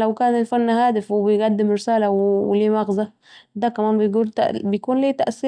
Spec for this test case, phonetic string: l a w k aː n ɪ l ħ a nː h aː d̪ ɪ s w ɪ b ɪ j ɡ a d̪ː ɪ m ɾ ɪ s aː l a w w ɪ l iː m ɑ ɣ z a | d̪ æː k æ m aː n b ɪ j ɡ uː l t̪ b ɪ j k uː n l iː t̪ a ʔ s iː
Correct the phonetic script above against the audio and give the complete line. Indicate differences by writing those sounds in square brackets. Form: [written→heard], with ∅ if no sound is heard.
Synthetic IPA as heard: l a w k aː n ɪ l [ħ→f] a nː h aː d̪ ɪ [s→f] w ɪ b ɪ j ɡ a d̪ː ɪ m ɾ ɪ s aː l a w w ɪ l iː m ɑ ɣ z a | d̪ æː k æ m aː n b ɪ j ɡ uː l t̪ b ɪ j k uː n l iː t̪ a ʔ s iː